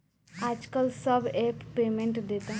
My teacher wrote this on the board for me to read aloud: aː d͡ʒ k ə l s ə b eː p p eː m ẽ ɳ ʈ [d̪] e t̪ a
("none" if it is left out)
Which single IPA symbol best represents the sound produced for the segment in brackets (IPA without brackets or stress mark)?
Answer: d̪